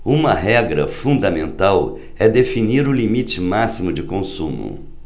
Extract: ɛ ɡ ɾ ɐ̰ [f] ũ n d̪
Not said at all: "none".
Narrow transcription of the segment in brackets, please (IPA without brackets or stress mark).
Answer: f